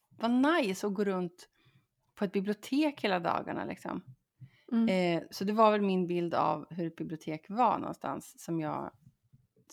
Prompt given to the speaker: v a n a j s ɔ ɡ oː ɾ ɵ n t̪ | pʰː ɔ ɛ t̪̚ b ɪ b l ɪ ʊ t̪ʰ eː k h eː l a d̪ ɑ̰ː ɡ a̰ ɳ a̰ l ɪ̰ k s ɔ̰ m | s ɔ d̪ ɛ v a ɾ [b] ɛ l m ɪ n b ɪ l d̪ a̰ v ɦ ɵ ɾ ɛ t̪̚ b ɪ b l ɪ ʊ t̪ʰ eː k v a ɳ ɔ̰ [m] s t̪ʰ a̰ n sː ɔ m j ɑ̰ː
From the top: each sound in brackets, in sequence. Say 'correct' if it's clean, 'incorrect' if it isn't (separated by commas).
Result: incorrect, incorrect